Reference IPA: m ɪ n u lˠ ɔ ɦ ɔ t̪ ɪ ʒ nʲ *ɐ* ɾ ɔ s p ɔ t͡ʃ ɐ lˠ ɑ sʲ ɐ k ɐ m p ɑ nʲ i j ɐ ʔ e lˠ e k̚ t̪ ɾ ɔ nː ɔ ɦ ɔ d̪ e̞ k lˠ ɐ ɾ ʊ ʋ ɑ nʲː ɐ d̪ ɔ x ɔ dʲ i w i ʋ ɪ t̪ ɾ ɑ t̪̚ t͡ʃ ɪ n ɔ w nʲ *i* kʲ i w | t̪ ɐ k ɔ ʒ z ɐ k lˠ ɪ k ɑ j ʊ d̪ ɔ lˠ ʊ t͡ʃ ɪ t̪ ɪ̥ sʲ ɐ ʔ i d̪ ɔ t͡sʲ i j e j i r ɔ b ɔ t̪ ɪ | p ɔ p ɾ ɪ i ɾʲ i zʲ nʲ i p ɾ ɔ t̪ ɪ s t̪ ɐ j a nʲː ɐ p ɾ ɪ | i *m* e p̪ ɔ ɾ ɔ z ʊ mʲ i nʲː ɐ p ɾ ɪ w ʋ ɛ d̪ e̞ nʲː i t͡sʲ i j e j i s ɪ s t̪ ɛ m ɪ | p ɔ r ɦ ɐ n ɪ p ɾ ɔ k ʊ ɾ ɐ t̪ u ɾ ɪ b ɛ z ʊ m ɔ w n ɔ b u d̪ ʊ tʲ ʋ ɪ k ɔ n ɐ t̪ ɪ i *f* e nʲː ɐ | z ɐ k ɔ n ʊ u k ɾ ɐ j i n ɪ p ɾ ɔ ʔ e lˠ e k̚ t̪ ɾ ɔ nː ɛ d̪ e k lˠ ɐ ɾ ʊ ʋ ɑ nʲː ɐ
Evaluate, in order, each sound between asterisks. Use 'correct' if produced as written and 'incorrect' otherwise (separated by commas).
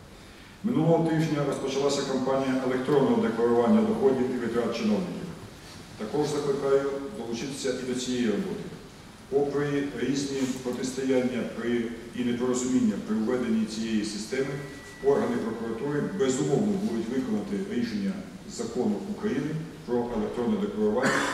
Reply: correct, incorrect, incorrect, incorrect